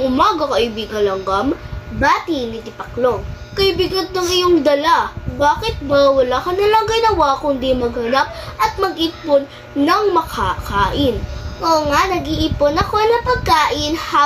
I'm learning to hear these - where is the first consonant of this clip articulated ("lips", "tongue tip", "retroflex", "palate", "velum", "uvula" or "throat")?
velum